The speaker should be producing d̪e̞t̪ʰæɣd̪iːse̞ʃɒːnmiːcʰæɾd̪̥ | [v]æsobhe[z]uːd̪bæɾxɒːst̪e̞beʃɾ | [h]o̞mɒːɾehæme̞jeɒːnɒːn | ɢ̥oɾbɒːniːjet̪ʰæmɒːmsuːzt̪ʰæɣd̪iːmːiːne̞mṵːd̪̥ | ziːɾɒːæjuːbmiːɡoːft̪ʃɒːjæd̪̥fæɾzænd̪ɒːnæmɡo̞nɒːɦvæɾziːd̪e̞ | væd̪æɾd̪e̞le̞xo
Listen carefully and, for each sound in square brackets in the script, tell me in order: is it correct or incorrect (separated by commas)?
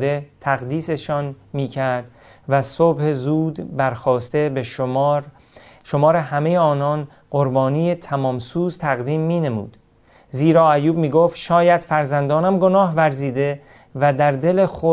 correct, correct, incorrect